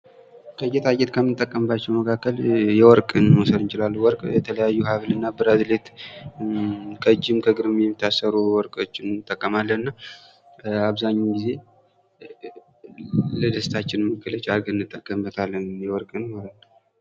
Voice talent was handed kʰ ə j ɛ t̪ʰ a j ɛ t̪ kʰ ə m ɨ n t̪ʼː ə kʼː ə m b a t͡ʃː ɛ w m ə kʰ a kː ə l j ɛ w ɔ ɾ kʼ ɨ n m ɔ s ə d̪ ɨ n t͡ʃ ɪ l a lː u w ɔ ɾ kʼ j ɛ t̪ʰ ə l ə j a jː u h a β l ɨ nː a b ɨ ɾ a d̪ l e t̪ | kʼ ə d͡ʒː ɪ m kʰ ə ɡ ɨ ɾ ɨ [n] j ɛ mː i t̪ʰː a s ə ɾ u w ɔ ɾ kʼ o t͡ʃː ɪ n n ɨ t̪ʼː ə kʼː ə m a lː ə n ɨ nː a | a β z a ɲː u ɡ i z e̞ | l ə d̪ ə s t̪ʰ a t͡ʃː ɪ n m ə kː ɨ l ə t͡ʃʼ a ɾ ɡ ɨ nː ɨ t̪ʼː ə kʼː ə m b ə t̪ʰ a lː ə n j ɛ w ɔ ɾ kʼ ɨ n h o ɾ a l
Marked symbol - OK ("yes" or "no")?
no